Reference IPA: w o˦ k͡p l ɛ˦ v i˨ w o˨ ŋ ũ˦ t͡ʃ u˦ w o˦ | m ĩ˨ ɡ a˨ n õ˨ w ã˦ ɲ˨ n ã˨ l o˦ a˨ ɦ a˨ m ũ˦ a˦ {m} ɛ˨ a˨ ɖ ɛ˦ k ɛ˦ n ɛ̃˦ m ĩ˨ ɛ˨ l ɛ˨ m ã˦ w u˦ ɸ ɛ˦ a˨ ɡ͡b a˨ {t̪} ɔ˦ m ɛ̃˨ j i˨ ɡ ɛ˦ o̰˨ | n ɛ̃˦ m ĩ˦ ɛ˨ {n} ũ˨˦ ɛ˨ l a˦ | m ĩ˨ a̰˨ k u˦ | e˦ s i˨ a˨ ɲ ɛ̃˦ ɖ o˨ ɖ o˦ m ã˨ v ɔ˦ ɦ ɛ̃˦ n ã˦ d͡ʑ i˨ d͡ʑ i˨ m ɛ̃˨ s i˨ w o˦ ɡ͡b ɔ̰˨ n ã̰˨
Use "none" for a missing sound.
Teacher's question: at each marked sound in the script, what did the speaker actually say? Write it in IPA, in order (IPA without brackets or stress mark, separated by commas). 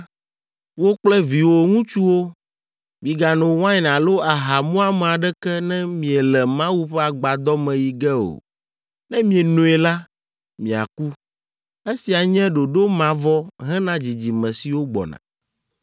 m, d̪, n